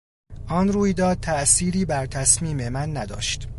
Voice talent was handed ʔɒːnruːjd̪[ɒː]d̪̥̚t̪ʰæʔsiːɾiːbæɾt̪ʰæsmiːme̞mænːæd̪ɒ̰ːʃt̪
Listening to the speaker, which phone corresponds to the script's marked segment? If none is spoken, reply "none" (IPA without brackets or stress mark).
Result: ɒː